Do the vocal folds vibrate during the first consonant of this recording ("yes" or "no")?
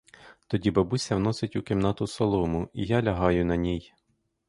no